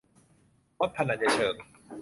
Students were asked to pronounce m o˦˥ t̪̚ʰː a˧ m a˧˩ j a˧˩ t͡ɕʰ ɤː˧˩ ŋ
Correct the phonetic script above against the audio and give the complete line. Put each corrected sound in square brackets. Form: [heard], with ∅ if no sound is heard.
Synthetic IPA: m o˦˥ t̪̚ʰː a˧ [n] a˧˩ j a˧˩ t͡ɕʰ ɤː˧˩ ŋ